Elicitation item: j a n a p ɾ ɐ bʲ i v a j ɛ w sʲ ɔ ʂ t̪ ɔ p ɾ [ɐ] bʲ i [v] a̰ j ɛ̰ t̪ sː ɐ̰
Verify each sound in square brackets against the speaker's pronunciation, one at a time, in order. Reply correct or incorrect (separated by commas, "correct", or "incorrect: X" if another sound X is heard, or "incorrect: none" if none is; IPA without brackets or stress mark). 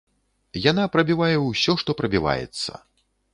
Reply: correct, correct